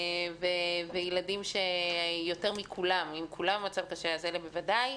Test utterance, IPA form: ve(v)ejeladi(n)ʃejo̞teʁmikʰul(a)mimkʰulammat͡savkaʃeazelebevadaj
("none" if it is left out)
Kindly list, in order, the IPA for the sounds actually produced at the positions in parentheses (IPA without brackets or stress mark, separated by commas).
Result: v, m, a